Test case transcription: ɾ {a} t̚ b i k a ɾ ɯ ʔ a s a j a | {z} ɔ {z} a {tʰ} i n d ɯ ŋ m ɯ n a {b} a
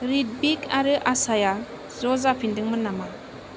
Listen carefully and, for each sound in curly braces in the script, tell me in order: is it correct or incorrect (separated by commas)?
incorrect, correct, correct, incorrect, incorrect